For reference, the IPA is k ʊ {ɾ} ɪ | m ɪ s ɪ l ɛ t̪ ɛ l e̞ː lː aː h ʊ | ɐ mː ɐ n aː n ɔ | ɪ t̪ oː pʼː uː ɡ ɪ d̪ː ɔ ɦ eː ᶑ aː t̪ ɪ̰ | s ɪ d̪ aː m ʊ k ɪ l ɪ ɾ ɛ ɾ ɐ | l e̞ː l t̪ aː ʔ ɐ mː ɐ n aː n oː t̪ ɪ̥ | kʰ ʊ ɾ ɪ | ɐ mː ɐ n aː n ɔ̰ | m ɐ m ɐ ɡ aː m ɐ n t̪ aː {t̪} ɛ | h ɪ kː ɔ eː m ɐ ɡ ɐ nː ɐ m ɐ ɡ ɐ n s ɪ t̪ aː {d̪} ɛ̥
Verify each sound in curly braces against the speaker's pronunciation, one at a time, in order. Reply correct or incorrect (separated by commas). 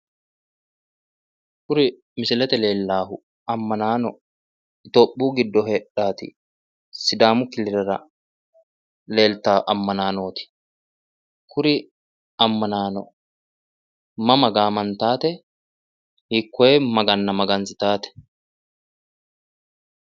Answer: correct, correct, incorrect